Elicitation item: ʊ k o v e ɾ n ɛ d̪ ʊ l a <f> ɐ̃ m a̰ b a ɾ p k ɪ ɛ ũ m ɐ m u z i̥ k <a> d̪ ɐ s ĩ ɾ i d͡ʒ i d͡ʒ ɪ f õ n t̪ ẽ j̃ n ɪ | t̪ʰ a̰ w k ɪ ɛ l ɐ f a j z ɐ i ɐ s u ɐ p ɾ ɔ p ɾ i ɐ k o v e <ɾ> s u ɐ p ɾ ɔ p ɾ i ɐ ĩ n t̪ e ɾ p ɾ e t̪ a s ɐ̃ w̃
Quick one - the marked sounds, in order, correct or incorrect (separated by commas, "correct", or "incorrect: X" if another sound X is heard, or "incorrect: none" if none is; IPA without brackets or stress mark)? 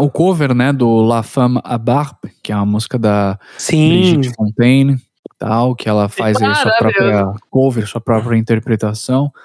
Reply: correct, incorrect: ɐ, correct